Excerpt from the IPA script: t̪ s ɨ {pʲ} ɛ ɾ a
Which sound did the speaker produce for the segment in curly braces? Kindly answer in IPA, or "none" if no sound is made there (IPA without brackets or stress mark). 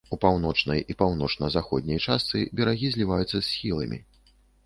bʲ